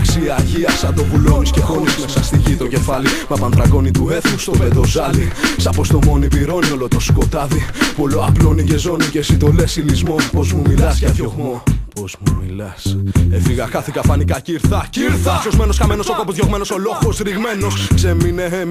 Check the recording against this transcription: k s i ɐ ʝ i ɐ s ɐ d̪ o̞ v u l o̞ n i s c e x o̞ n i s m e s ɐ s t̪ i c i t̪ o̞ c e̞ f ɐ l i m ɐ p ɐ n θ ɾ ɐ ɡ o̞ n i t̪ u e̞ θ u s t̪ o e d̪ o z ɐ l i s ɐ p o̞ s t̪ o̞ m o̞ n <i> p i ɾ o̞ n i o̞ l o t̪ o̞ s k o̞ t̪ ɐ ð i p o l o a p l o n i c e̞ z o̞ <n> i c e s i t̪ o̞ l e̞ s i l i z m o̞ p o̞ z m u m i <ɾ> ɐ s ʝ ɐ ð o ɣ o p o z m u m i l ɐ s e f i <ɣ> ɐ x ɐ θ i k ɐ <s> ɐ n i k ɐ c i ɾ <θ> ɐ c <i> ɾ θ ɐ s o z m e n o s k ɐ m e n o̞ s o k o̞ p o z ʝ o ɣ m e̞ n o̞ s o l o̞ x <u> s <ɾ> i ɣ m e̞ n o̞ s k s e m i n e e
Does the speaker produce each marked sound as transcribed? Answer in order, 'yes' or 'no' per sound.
yes, yes, no, yes, no, yes, yes, no, yes

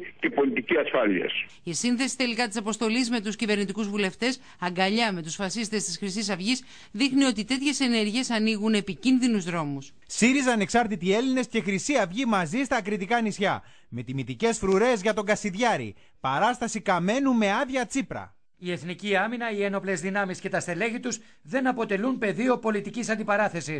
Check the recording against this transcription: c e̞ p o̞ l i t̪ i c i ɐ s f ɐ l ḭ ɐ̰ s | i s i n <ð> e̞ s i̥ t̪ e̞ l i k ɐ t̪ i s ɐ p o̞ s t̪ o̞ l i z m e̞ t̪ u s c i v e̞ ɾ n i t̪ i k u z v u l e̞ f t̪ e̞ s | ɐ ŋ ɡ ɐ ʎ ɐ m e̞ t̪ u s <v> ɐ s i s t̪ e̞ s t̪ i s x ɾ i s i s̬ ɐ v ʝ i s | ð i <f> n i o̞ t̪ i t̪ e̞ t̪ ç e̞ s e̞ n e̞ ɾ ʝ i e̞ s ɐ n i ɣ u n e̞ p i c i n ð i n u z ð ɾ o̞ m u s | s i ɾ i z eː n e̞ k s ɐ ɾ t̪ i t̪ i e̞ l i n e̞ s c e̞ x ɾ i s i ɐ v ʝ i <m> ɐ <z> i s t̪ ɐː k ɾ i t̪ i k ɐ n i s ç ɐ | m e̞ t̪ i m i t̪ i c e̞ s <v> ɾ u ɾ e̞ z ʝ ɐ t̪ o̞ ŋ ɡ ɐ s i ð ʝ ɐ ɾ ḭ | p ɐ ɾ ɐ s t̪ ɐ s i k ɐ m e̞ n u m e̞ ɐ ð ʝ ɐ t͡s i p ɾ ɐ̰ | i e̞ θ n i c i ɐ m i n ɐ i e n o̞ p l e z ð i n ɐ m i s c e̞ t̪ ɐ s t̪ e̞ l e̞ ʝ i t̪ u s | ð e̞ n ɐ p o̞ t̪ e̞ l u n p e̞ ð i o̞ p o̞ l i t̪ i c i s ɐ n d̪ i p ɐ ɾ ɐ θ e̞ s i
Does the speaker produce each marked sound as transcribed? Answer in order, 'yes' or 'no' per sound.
no, no, no, yes, yes, no

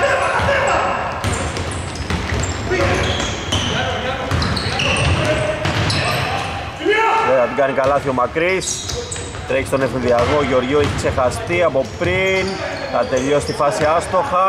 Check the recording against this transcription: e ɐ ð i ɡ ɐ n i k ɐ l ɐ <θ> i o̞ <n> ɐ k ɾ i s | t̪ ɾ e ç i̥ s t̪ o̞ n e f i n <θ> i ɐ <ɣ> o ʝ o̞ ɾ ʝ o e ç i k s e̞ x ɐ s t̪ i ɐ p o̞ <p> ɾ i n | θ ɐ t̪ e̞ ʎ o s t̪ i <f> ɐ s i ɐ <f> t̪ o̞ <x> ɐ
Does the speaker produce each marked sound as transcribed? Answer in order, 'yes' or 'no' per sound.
yes, no, no, yes, yes, yes, no, yes

